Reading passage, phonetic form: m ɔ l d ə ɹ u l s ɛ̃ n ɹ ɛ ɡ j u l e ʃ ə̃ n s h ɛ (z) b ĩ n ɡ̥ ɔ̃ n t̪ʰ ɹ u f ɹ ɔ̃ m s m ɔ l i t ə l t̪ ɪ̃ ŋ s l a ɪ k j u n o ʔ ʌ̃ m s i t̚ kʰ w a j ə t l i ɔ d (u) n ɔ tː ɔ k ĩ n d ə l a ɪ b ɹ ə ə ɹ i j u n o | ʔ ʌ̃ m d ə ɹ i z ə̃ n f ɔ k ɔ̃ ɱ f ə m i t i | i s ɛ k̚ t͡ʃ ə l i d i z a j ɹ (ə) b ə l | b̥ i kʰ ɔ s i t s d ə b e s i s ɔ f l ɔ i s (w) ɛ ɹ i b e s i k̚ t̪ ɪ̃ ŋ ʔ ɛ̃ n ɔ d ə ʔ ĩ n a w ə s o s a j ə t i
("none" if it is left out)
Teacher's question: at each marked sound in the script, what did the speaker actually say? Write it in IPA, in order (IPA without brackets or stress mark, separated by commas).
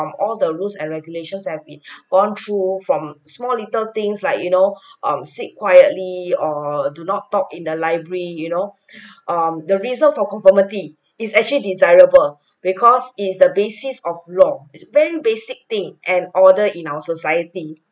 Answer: v, u, ə, v